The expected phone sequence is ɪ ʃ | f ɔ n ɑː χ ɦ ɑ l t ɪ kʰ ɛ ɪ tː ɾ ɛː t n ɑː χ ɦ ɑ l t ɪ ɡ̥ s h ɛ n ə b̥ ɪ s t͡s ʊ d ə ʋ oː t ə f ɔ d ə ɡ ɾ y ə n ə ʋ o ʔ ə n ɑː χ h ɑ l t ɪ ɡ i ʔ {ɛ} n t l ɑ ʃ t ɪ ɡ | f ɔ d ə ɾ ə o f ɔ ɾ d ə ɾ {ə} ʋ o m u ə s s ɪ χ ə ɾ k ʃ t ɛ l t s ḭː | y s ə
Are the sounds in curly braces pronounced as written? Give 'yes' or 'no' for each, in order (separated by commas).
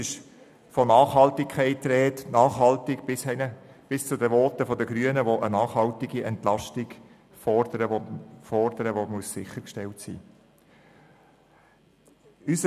yes, yes